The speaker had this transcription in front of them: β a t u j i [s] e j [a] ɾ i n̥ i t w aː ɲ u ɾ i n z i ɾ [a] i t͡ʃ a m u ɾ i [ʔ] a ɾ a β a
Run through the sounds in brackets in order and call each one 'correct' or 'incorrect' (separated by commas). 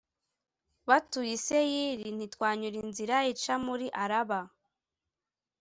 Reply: correct, incorrect, correct, correct